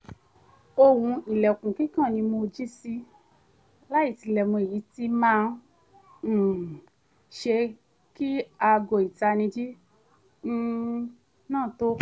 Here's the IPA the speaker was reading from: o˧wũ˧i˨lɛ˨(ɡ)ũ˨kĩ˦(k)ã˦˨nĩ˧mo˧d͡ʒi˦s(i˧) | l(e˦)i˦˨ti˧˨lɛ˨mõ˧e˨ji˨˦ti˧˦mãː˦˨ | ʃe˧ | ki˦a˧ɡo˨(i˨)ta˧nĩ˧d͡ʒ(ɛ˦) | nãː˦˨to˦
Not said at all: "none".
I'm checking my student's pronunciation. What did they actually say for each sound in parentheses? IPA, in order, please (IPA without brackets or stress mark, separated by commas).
k, k, i˧, a˦, i˨, i˦